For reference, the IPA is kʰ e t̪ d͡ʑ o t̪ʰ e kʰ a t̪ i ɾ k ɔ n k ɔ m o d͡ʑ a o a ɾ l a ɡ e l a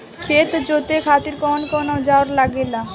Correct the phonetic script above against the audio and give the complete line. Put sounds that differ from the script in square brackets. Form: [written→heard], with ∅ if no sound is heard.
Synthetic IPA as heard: kʰ e t̪ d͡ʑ o [t̪ʰ→t̪] e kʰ a t̪ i ɾ k ɔ n k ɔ [m→n] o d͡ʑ a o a ɾ l a ɡ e l a